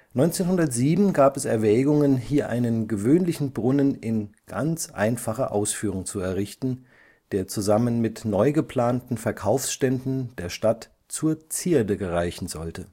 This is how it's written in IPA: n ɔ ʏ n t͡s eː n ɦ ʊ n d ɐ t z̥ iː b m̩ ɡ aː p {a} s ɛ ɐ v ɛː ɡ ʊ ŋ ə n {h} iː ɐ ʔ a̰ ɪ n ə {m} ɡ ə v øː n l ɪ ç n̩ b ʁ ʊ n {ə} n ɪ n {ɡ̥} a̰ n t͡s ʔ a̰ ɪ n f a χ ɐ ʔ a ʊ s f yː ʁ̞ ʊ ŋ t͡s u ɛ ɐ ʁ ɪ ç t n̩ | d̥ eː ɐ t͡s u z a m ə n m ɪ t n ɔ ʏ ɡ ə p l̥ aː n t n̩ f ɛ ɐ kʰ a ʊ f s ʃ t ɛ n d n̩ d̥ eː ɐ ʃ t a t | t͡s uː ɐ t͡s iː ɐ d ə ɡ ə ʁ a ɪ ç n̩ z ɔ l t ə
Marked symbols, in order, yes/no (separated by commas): no, yes, no, yes, yes